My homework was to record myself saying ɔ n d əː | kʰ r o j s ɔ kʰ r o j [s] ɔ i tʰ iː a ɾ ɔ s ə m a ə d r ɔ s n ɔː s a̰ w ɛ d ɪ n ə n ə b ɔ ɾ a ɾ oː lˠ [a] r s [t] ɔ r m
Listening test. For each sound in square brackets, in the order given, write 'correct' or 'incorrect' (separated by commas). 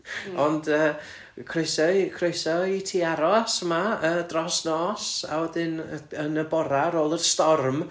correct, incorrect, correct